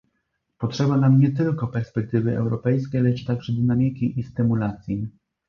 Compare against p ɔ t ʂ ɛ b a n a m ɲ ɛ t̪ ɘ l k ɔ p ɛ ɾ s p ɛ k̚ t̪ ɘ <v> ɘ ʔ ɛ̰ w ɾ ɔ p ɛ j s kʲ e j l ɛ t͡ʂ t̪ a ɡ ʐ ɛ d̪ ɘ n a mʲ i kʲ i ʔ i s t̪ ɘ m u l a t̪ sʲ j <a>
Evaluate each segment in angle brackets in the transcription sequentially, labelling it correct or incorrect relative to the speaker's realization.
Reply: correct, incorrect

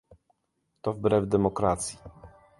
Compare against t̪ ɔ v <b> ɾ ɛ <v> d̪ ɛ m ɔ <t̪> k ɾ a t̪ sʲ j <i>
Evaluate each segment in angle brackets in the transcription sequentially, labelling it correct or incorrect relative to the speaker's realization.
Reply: correct, correct, incorrect, correct

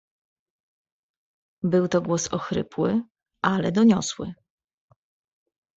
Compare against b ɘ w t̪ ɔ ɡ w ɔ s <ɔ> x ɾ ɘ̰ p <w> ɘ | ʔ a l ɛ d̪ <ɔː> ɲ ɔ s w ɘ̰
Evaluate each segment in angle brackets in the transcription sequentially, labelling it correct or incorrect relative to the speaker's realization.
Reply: correct, correct, incorrect

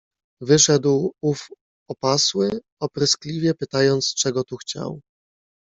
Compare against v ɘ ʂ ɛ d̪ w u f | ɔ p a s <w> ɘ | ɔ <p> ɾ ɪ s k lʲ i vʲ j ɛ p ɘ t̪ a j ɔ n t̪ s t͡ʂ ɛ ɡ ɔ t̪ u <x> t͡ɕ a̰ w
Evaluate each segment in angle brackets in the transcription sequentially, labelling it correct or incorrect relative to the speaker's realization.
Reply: correct, correct, correct

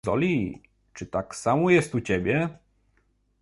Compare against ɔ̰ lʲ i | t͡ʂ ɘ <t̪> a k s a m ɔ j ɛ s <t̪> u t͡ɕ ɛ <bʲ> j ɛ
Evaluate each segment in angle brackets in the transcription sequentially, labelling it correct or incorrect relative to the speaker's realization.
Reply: correct, correct, correct

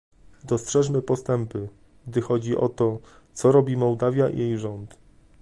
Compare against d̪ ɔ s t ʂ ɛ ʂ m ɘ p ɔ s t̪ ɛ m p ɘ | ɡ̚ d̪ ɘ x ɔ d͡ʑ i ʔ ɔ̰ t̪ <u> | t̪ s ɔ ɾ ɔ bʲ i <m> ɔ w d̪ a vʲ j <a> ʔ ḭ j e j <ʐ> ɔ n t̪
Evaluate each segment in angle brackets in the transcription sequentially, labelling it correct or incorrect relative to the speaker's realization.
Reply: incorrect, correct, correct, correct

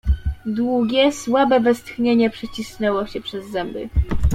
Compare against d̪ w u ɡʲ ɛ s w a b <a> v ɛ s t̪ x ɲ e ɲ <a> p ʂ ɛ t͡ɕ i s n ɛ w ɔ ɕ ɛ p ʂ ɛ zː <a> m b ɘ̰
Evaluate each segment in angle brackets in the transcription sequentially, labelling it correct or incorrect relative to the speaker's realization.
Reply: incorrect, incorrect, incorrect

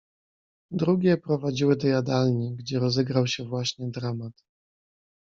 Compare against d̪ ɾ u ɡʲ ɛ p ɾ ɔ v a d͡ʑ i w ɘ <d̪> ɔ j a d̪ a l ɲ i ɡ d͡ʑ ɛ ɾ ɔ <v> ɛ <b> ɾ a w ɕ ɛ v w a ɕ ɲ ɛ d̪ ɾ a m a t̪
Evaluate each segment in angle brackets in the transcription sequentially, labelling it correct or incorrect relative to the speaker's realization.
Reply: correct, incorrect, incorrect

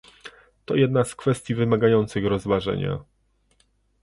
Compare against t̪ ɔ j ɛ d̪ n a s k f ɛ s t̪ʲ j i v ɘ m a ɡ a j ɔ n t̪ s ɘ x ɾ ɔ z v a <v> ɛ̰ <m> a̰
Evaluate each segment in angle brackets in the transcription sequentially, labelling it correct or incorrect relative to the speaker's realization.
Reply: incorrect, incorrect

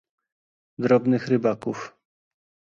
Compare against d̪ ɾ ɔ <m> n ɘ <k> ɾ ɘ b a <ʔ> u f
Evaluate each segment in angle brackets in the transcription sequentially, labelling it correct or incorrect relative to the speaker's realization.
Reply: incorrect, incorrect, incorrect

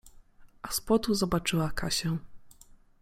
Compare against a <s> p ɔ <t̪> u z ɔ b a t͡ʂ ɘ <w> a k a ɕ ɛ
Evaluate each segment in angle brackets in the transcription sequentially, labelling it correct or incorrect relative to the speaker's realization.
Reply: correct, correct, correct

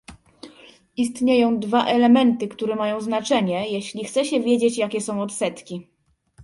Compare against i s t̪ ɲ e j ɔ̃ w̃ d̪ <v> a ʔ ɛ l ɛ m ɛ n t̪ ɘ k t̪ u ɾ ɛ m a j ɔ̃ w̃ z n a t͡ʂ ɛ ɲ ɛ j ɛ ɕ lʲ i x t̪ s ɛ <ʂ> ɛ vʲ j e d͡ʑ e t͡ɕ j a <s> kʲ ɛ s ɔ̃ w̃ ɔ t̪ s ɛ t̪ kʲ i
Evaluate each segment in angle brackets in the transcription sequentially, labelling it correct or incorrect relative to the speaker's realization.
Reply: correct, incorrect, incorrect

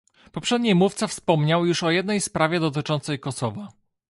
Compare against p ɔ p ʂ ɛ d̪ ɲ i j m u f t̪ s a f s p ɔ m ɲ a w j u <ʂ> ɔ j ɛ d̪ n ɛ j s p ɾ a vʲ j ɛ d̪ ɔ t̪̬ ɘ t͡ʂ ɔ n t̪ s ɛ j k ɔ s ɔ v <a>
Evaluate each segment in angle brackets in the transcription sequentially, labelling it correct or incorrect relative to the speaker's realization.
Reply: correct, correct

